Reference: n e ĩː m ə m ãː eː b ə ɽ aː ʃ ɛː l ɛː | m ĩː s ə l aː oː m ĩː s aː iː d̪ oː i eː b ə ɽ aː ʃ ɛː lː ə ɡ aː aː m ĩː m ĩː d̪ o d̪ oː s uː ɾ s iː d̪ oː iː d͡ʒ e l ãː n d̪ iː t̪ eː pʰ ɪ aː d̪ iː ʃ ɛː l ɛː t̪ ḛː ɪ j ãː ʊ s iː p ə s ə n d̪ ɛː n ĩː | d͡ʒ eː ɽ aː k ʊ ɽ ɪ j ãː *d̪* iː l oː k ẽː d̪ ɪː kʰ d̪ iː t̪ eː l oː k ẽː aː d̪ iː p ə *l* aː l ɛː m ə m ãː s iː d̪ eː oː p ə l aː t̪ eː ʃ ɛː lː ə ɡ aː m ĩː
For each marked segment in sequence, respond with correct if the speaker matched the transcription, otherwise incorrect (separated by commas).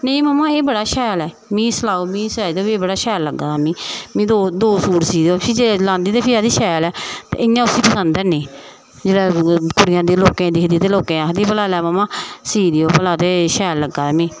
correct, correct